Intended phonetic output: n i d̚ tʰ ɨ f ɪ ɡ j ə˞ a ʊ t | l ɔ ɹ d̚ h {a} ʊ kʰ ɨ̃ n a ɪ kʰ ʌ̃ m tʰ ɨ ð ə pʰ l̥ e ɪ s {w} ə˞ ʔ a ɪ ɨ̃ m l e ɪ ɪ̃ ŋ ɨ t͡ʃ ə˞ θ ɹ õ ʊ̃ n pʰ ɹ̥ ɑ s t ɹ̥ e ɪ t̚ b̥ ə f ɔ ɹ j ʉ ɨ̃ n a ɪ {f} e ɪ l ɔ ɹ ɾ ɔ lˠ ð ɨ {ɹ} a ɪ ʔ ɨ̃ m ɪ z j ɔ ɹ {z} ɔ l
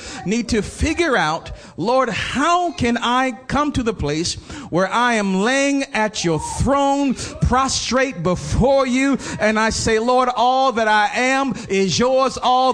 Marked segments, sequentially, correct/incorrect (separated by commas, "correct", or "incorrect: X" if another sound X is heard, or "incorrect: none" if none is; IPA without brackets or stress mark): correct, correct, incorrect: s, incorrect: ɾ, correct